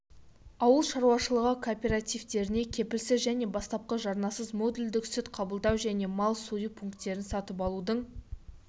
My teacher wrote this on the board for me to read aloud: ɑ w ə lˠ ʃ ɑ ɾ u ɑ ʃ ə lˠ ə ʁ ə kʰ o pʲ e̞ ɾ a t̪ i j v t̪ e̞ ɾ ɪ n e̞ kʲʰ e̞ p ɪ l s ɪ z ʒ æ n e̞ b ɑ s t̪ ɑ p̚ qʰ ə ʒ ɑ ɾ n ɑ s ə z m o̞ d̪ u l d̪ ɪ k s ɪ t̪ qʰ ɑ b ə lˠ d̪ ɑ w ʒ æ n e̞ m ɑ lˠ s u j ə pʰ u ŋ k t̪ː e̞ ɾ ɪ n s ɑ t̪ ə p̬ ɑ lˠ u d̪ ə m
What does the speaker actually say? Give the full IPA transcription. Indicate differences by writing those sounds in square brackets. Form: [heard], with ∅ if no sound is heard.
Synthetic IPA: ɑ w ə lˠ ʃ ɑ ɾ u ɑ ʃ ə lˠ ə ʁ ə kʰ o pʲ e̞ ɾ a t̪ i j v t̪ e̞ ɾ ɪ n e̞ kʲʰ e̞ p ɪ l s ɪ z ʒ æ n e̞ b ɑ s t̪ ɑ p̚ [q] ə ʒ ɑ ɾ n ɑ s ə z m o̞ d̪ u l d̪ ɪ k s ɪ t̪ qʰ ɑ b ə lˠ d̪ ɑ w ʒ æ n e̞ m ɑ lˠ s u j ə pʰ u ŋ k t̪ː e̞ ɾ ɪ n s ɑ t̪ ə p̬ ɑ lˠ u d̪ ə [ɴ]